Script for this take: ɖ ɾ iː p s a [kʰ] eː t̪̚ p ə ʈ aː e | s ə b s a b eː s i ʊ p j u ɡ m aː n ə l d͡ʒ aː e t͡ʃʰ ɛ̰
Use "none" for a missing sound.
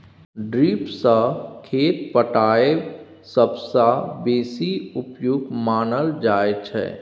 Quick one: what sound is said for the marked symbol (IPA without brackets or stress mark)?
kʰ